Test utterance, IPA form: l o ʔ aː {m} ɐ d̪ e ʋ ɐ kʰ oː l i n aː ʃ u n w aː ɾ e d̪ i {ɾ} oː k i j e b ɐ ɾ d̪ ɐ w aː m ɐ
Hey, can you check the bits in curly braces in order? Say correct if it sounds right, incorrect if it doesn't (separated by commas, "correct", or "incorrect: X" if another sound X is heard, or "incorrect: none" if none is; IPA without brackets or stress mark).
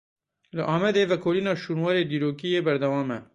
correct, correct